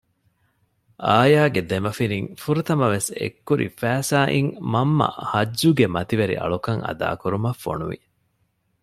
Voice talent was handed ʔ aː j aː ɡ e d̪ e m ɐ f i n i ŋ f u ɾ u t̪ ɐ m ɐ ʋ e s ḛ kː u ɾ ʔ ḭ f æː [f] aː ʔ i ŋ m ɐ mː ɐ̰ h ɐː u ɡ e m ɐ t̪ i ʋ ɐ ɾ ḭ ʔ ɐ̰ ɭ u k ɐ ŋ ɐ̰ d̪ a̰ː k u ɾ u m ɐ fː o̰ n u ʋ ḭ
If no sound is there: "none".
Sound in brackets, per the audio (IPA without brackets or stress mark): s